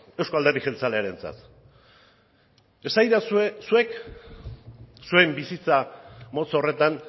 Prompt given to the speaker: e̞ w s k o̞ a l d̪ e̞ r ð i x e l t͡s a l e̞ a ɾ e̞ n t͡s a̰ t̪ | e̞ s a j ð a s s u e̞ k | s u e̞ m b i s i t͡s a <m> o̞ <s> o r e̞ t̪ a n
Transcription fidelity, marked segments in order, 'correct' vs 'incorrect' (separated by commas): correct, incorrect